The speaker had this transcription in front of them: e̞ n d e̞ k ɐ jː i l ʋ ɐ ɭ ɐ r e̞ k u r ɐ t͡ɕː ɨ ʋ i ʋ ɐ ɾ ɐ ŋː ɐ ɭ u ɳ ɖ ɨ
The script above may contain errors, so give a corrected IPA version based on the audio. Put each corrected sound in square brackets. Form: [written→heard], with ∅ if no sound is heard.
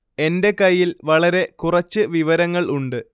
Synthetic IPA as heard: e̞ n d e̞ k ɐ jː i l ʋ ɐ ɭ ɐ [r→ɾ] e̞ k u r ɐ t͡ɕː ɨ ʋ i ʋ ɐ ɾ ɐ ŋː ɐ ɭ u ɳ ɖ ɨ